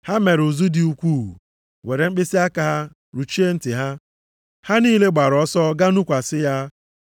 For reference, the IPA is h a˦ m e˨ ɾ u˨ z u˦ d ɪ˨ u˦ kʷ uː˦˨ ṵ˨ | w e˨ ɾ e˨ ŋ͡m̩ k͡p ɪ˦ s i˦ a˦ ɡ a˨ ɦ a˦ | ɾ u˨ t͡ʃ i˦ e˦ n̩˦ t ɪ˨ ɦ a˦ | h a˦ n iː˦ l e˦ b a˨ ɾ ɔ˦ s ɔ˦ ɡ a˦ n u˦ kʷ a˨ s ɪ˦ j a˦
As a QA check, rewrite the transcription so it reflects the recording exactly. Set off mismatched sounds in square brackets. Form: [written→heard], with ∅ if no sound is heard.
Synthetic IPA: h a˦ m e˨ ɾ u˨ z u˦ d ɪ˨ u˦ kʷ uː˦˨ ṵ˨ | w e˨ ɾ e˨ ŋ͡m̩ k͡p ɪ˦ s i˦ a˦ [ɡ→k] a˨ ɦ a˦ | ɾ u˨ t͡ʃ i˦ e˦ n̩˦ t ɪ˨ ɦ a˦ | h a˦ n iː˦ l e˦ [b→ɡ͡b] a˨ ɾ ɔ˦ s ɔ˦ ɡ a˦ n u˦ kʷ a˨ s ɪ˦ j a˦